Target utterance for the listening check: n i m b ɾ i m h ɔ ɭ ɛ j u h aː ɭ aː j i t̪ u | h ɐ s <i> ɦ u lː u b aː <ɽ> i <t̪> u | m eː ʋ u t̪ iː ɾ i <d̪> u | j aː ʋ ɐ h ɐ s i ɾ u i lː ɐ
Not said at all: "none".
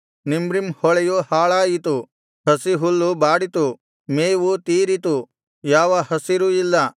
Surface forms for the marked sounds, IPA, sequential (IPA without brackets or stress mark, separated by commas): i, ɽ, t̪, t̪